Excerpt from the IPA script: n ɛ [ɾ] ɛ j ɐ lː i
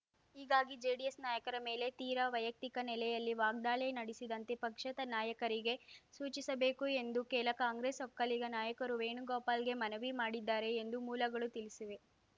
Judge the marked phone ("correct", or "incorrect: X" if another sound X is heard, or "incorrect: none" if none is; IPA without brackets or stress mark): incorrect: l